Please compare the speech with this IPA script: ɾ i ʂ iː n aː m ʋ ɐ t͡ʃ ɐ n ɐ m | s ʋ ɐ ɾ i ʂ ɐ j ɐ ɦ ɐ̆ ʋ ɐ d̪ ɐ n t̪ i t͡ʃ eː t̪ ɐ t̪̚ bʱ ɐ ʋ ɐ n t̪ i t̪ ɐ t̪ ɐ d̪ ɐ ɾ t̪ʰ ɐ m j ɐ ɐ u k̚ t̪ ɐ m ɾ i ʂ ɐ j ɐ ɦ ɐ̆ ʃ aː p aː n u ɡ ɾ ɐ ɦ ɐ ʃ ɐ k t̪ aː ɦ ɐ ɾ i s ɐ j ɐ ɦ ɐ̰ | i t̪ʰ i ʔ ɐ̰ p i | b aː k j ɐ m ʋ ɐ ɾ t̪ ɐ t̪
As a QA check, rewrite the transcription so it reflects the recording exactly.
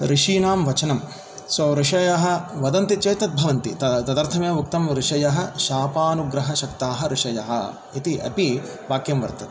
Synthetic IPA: ɾ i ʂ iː n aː m ʋ ɐ t͡ʃ ɐ n ɐ m | s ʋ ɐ ɾ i ʂ ɐ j ɐ ɦ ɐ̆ ʋ ɐ d̪ ɐ n t̪ i t͡ʃ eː t̪ ɐ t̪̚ bʱ ɐ ʋ ɐ n t̪ i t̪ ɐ t̪ ɐ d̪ ɐ ɾ t̪ʰ ɐ m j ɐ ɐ u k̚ t̪ ɐ m ɾ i ʂ ɐ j ɐ ɦ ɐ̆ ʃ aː p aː n u ɡ ɾ ɐ ɦ ɐ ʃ ɐ k t̪ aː ɦ ɐ ɾ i ʂ ɐ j ɐ ɦ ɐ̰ | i t̪ i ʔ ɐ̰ p i | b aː k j ɐ m ʋ ɐ ɾ t̪ ɐ t̪